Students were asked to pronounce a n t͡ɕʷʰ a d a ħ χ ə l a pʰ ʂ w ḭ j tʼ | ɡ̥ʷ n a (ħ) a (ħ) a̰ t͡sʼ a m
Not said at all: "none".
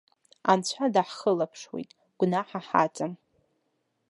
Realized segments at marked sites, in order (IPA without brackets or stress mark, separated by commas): ħ, ħ